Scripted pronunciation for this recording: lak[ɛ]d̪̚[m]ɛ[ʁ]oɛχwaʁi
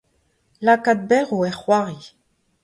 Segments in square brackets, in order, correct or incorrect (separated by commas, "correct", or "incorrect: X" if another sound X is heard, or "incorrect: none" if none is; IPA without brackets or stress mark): incorrect: a, incorrect: b, correct